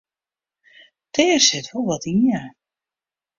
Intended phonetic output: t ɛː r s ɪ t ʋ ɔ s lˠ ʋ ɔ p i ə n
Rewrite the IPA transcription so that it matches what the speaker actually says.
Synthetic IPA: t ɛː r s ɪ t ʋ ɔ lˠ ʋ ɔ t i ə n